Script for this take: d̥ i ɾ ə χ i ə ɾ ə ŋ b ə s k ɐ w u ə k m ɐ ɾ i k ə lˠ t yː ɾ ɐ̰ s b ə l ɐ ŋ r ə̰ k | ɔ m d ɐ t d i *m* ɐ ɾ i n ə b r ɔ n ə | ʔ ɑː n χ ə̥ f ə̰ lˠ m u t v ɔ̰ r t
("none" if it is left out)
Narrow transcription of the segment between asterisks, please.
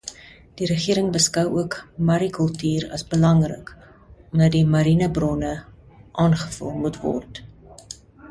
m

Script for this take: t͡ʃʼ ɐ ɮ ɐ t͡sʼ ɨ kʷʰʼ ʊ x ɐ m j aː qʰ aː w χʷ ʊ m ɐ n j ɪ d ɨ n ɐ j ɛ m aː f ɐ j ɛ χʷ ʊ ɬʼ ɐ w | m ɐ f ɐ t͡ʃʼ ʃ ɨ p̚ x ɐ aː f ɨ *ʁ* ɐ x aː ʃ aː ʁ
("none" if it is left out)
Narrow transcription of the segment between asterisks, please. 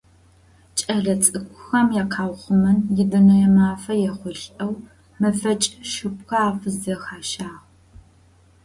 z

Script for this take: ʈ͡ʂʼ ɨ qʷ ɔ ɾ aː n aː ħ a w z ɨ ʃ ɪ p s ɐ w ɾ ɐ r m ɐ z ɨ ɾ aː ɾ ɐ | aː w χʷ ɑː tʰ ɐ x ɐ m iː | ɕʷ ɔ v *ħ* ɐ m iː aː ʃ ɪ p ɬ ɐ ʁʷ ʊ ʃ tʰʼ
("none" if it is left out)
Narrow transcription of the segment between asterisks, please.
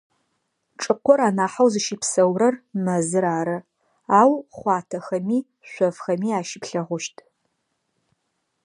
x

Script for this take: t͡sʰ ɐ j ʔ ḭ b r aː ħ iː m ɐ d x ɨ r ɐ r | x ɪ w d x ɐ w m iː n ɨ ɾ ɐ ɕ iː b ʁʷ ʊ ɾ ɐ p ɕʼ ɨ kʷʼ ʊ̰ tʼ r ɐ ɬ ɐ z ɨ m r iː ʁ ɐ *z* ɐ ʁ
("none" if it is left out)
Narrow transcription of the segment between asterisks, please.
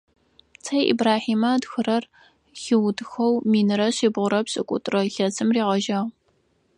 ʒ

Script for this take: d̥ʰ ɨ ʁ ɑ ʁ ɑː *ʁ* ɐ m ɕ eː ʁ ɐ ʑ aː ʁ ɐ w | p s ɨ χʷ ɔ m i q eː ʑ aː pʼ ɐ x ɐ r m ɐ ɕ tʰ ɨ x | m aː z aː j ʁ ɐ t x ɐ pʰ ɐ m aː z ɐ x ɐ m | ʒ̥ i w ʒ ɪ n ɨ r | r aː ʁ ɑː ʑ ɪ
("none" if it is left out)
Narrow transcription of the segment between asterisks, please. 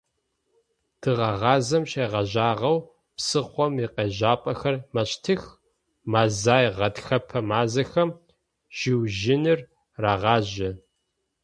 z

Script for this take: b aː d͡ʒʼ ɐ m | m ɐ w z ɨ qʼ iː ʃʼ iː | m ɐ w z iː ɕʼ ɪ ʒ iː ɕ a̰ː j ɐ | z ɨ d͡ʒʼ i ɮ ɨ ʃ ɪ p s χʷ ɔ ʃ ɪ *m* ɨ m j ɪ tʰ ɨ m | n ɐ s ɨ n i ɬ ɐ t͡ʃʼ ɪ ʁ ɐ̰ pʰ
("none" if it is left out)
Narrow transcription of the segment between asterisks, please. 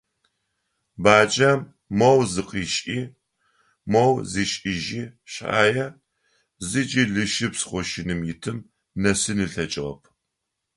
n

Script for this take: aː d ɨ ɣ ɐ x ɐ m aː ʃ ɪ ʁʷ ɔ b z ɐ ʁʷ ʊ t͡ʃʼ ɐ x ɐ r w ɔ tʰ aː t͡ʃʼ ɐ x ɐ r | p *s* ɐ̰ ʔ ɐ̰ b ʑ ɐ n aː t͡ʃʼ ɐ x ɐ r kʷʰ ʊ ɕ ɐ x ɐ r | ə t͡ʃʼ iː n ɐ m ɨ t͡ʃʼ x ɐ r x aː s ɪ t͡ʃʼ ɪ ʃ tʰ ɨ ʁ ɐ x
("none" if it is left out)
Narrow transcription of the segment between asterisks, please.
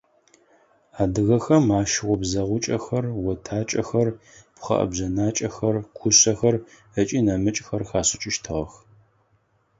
χ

